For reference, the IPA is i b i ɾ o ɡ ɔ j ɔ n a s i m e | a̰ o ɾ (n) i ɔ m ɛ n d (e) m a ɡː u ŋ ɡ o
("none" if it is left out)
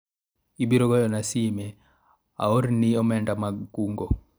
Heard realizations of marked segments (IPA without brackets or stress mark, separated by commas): n, a